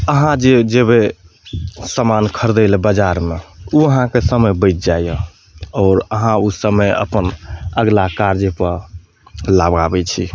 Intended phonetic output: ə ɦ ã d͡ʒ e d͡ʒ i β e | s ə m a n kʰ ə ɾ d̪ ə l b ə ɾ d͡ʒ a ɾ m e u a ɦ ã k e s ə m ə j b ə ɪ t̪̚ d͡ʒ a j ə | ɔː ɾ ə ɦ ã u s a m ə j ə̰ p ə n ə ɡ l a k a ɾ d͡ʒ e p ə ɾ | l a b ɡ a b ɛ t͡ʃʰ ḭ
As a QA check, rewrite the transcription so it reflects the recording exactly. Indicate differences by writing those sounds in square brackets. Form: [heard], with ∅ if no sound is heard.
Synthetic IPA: ə ɦ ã d͡ʒ e d͡ʒ [e] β e | s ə m a n kʰ ə ɾ d̪ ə l b ə [∅] d͡ʒ a ɾ m e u [ə] ɦ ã k e s ə m ə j b ə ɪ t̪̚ d͡ʒ a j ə | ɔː ɾ ə ɦ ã u s [ə] m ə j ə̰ p ə n ə ɡ l a k a ɾ d͡ʒ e p ə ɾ | l a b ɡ a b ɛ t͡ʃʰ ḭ